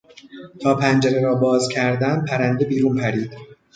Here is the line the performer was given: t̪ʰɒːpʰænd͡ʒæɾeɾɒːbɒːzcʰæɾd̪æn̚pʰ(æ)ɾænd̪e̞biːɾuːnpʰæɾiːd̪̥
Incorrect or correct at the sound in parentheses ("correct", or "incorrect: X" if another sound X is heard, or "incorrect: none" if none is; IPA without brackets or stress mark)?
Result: correct